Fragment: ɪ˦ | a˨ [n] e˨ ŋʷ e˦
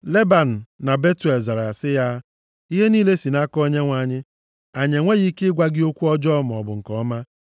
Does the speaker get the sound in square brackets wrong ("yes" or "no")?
yes